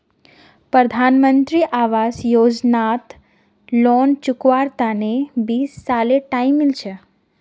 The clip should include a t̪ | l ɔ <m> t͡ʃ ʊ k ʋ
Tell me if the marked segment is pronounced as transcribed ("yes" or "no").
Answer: no